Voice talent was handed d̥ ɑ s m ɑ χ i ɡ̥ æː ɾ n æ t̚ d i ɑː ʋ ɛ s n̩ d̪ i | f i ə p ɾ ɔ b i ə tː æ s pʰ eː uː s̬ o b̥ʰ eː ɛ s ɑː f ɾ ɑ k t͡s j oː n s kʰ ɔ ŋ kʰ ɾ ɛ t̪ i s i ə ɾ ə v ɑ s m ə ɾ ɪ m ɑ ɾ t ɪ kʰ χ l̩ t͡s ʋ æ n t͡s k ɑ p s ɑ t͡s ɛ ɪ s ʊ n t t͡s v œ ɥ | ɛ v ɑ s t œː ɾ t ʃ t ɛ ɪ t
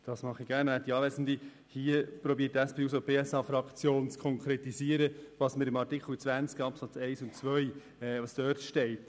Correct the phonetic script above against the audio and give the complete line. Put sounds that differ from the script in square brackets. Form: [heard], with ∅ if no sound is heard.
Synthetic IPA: d̥ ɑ s m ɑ χ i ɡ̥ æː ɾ n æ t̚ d i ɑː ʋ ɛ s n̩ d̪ i | [h] i ə p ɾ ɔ b i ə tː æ s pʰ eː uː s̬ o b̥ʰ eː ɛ s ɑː f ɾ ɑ k t͡s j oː n [t͡s] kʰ ɔ ŋ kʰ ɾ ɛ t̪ i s i ə ɾ ə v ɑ s m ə ɾ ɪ m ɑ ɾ t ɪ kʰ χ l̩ t͡s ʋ æ n t͡s k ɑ p s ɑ t͡s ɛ ɪ s ʊ n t t͡s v œ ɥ | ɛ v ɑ s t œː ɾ t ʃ t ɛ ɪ t